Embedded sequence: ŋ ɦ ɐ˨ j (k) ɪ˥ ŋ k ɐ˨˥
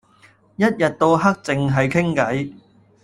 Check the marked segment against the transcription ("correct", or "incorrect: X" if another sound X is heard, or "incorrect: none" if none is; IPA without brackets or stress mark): incorrect: kʰ